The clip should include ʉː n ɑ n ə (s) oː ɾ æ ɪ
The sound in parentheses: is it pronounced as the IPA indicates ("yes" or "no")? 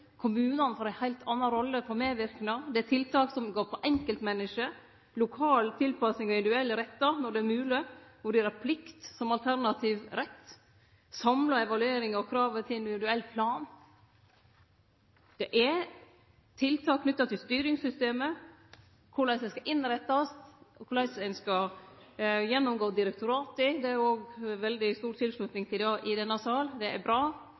no